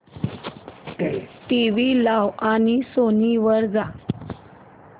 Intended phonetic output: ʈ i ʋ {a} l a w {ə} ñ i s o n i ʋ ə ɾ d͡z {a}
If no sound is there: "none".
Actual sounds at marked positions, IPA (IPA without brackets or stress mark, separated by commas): i, a, a